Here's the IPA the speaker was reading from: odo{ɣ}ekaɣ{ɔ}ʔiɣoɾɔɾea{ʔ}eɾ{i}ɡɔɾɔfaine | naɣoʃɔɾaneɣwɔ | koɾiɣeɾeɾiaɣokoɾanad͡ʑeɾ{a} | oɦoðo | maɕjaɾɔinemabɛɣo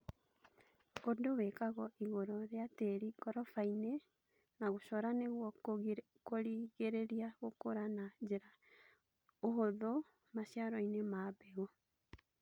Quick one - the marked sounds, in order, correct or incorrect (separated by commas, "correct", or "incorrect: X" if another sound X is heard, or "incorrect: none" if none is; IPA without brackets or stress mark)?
incorrect: w, correct, incorrect: t, correct, correct